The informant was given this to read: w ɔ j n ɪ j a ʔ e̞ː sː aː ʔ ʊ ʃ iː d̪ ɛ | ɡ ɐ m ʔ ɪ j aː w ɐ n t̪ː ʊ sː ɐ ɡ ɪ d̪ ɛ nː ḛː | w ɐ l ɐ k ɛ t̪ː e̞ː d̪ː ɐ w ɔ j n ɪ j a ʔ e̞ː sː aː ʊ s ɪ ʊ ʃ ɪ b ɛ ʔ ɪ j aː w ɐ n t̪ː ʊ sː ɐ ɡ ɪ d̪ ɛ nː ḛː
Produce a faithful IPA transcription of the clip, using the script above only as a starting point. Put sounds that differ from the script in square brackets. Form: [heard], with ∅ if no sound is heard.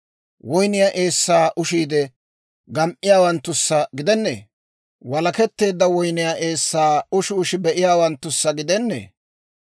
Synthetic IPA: w ɔ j n ɪ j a ʔ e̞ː sː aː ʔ ʊ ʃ iː d̪ ɛ | ɡ ɐ m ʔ ɪ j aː w ɐ n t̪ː ʊ sː ɐ ɡ ɪ d̪ ɛ nː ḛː | w ɐ l ɐ k ɛ t̪ː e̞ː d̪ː ɐ w ɔ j n ɪ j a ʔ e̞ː sː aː ʊ [ʃ] ɪ ʊ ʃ ɪ b ɛ ʔ ɪ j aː w ɐ n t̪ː ʊ sː ɐ ɡ ɪ d̪ ɛ nː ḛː